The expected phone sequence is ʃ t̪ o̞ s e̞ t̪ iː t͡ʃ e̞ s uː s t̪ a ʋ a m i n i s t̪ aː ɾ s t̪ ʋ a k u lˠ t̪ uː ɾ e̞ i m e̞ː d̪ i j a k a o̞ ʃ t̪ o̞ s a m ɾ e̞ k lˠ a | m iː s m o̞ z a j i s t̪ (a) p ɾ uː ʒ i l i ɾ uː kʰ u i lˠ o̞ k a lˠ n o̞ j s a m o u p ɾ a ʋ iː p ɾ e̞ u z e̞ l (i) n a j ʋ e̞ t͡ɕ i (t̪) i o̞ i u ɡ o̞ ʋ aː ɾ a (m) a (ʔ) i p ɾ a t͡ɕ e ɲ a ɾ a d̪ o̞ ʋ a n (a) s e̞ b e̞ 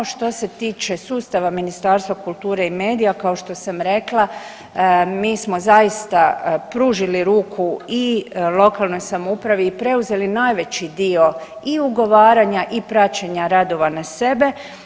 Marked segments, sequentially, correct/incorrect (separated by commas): correct, correct, incorrect, incorrect, correct, correct